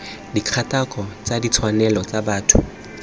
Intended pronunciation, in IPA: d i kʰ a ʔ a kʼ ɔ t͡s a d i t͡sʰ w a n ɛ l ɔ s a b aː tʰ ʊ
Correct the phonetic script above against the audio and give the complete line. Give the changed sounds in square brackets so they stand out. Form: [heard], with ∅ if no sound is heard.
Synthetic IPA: d i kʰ a [t] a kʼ ɔ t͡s a d i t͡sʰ w a n ɛ l ɔ [t͡s] a b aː tʰ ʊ